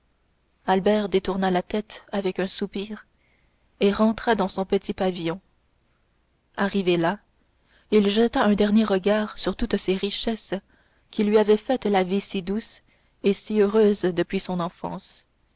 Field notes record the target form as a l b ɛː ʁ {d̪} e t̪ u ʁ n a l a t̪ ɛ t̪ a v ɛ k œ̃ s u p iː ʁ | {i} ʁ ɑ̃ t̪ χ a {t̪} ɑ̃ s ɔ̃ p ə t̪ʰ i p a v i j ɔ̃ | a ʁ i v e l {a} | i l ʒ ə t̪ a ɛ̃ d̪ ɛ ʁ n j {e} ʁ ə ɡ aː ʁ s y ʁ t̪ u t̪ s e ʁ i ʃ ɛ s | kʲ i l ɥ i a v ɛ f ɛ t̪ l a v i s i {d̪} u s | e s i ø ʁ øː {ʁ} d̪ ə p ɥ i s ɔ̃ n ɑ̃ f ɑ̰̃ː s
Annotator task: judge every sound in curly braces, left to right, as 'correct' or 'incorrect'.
correct, incorrect: e, incorrect: d̪, correct, correct, correct, incorrect: z

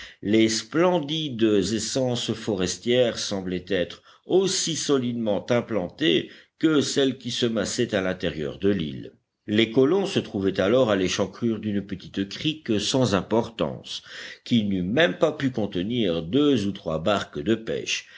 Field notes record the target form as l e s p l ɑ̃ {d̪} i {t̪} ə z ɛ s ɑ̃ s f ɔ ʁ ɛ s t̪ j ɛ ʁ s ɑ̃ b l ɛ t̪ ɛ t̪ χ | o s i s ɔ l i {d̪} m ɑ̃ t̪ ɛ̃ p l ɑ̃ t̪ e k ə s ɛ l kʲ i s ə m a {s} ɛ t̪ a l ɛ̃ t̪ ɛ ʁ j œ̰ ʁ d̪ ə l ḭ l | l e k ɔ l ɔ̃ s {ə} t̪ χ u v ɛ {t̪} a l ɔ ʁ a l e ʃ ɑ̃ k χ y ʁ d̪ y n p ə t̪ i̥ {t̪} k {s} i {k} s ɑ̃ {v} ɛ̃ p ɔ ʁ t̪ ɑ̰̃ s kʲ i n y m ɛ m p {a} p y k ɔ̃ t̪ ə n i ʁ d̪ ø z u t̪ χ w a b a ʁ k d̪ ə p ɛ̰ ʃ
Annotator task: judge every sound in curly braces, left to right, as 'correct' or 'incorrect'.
correct, incorrect: d̪, correct, correct, correct, correct, correct, incorrect: χ, correct, incorrect: z, correct

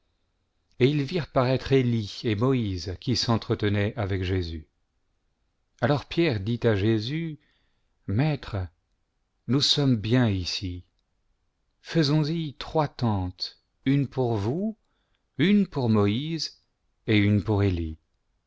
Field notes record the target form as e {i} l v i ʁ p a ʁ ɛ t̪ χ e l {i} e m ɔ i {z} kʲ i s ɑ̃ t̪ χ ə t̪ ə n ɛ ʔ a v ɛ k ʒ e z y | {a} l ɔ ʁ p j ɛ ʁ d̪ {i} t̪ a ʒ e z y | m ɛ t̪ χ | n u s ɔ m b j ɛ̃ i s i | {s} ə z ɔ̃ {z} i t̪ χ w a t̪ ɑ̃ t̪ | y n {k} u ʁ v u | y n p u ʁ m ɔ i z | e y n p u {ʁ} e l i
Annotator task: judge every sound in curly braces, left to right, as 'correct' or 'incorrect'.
correct, correct, correct, correct, correct, incorrect: f, correct, incorrect: p, correct

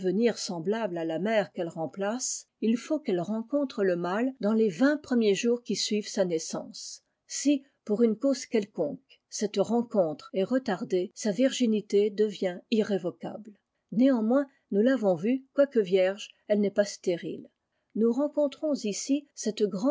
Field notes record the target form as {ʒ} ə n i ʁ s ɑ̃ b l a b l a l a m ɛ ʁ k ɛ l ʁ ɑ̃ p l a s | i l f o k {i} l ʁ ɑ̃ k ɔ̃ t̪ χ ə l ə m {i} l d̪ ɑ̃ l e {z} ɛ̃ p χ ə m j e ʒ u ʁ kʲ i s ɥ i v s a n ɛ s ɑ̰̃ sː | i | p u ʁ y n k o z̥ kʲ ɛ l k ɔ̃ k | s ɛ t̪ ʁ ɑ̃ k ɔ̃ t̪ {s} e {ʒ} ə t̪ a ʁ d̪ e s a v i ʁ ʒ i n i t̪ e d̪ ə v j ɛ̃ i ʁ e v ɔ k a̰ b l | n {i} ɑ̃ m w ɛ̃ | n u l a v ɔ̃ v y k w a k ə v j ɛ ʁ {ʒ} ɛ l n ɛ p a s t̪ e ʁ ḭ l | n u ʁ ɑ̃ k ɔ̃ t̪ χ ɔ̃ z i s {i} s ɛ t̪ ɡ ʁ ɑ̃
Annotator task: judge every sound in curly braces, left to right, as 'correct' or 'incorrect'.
incorrect: v, incorrect: ɛ, incorrect: a, incorrect: v, incorrect: χ, incorrect: ʁ, incorrect: e, correct, correct

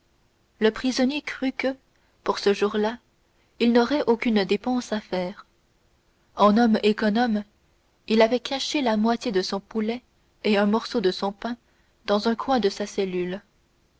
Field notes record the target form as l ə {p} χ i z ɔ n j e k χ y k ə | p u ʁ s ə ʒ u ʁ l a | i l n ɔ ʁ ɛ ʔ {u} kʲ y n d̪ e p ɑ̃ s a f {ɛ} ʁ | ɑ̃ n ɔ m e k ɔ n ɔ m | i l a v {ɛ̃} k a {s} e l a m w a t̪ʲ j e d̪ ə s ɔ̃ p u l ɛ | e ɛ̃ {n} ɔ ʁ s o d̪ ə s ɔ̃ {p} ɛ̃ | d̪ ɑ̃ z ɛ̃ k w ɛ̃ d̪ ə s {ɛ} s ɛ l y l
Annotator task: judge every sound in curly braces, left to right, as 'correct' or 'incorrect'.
correct, incorrect: o, incorrect: ɛː, incorrect: ɛ, incorrect: ʃ, incorrect: m, correct, incorrect: a

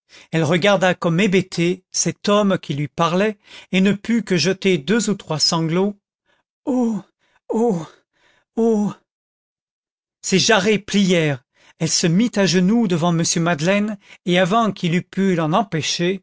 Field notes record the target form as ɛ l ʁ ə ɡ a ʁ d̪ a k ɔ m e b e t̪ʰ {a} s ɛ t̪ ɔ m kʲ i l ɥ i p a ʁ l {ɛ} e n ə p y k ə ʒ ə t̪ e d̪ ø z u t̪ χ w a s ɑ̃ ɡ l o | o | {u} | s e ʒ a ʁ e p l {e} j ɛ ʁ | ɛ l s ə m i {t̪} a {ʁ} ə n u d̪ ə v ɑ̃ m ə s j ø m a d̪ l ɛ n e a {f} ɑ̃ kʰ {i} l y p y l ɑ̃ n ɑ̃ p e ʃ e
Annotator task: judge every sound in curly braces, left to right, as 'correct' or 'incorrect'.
incorrect: e, correct, incorrect: o, incorrect: i, correct, incorrect: ʒ, incorrect: v, correct

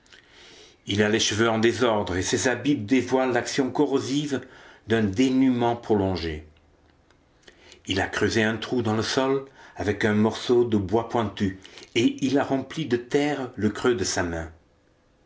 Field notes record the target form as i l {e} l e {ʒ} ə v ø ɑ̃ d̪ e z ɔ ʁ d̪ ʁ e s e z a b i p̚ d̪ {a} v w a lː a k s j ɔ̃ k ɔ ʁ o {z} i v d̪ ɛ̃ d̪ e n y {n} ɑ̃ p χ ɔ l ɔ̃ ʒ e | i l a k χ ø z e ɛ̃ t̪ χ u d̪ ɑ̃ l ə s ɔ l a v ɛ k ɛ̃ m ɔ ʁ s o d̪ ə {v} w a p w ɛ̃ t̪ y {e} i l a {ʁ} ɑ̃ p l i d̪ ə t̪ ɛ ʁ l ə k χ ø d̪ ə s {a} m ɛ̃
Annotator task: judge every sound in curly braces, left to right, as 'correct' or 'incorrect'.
incorrect: a, incorrect: ʃ, incorrect: e, correct, incorrect: m, incorrect: b, correct, correct, correct

